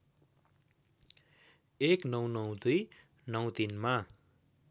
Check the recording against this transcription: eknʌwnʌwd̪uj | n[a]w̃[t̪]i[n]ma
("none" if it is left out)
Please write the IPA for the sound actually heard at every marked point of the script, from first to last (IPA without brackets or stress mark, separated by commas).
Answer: ʌ, t̪, n